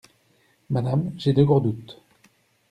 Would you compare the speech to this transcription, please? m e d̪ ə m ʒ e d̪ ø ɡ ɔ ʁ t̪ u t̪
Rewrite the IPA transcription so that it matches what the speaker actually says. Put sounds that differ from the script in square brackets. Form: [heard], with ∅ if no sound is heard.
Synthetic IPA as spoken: m [a] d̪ [a] m ʒ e d̪ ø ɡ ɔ ʁ [d̪] u t̪

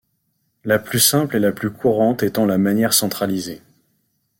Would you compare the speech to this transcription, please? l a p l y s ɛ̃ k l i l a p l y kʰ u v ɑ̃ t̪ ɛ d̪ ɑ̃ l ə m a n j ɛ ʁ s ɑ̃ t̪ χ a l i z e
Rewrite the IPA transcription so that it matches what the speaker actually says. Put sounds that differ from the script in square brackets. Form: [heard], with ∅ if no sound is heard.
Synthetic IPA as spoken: l a p l y s ɛ̃ [p] l [e] l a p l y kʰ u [ʁ] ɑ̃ t̪ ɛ [t̪] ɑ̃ l [a] m a n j ɛ ʁ s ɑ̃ t̪ χ a l i z e

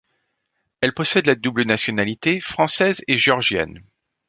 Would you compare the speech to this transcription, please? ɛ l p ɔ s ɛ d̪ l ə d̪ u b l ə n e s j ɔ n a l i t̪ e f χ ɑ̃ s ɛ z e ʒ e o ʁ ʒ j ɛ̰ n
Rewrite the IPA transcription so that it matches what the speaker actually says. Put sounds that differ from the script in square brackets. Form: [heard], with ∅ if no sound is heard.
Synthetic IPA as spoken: ɛ l p ɔ s ɛ d̪ l [a] d̪ u b l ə n [a] s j ɔ n a l i t̪ e f χ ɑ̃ s ɛ z e ʒ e [ɔ] ʁ ʒ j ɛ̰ n

